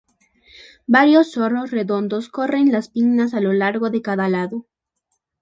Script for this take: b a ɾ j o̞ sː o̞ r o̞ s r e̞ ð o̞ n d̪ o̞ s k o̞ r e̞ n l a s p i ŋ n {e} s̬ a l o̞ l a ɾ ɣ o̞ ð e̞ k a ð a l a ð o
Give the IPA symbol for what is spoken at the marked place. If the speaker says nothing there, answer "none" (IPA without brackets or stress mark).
a